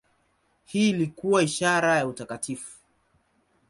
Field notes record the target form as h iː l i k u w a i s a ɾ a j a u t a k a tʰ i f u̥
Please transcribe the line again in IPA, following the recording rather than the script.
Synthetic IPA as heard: h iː l i k u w a i ʃ a ɾ a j a u t a k a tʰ i f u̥